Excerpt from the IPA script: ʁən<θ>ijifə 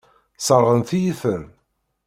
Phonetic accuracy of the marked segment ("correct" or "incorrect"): correct